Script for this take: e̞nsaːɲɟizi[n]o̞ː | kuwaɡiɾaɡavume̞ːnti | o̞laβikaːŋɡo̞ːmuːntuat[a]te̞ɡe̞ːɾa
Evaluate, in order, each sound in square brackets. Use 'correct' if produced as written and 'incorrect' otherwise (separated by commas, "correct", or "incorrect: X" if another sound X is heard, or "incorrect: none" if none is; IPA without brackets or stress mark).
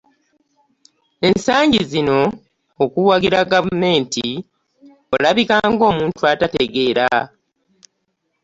correct, correct